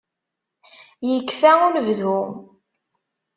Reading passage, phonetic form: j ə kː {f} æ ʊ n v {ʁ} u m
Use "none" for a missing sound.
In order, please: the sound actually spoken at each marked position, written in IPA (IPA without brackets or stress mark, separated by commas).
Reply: f, ð